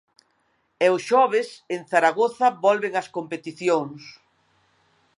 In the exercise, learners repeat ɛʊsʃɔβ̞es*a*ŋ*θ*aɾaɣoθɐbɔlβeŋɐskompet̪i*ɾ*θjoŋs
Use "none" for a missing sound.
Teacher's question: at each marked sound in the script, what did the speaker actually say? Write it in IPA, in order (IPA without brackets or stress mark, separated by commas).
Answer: e, θ, none